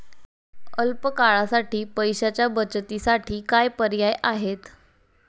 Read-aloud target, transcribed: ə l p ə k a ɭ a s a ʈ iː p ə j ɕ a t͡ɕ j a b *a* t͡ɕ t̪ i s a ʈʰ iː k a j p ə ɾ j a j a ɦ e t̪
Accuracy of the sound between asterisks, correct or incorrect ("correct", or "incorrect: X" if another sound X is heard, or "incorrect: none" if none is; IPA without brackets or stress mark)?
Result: incorrect: ə